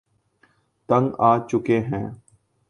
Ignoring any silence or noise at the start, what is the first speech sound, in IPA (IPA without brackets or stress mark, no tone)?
t̪